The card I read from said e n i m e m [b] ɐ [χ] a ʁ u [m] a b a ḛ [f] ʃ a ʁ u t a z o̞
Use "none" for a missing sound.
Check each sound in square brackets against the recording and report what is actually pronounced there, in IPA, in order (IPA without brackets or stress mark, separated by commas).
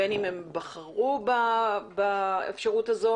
b, χ, b, f